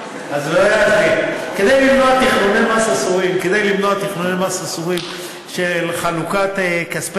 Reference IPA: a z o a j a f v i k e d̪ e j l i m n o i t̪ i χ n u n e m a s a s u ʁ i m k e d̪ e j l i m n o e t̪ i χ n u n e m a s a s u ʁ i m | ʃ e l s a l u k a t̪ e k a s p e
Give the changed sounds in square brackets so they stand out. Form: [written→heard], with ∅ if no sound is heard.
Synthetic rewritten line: a z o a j a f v i k e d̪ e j l i m n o [i→a] t̪ i χ n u n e m a s a s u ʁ i m k e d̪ e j l i m n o [e→a] t̪ i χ n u n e m a s a s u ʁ i m | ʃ e l [s→χ] a l u k a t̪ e k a s p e